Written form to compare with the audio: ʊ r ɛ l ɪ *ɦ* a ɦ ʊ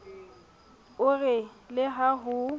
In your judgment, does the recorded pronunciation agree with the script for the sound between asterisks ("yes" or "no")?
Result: yes